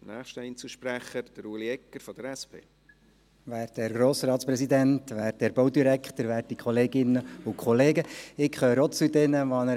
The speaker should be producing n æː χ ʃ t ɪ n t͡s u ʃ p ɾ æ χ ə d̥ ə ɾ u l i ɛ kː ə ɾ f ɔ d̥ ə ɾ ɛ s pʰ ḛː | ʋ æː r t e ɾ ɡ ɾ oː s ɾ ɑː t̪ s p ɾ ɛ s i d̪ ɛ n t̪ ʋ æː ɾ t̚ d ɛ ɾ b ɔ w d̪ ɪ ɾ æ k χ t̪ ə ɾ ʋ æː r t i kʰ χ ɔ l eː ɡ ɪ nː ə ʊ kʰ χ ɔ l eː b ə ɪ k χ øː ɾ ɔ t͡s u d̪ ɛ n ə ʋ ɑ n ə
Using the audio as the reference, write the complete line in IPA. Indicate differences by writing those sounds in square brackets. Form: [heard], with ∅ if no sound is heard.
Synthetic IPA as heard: n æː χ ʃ t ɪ n t͡s u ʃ p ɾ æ χ ə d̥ ə ɾ u l i ɛ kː ə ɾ f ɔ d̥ ə ɾ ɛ s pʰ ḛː | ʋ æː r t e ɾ ɡ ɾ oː s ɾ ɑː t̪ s p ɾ ɛ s i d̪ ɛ n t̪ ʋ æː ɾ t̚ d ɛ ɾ b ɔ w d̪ [i] ɾ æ k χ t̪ ə ɾ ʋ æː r t i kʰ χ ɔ l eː ɡ ɪ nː ə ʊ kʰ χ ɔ l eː [ɡ] ə ɪ k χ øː ɾ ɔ t͡s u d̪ ɛ n ə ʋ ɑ n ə